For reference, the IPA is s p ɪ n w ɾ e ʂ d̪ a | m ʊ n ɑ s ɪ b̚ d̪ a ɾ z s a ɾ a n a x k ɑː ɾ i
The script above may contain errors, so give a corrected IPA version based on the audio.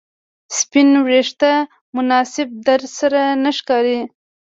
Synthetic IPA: s p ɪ n w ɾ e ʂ t̪ a | m ʊ n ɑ s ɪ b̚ d̪ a ɾ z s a ɾ a n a ʃ k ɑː ɾ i